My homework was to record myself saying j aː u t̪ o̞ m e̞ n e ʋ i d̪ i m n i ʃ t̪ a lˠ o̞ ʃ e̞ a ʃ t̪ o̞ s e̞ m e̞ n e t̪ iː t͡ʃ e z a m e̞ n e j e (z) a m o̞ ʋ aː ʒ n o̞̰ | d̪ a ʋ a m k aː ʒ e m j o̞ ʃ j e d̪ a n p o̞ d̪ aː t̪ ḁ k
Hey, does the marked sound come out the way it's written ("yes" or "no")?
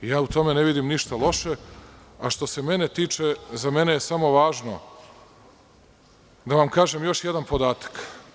no